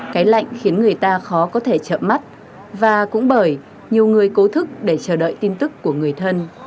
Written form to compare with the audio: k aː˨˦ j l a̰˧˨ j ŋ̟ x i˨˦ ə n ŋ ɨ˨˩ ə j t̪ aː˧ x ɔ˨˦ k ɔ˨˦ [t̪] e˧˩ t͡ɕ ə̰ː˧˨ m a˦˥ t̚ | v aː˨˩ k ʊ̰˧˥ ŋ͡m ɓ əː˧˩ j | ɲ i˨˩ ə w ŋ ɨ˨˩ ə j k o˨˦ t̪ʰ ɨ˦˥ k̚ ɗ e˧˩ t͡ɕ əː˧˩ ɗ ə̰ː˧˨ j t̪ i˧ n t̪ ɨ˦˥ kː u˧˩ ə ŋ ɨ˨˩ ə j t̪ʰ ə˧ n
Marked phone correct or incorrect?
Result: incorrect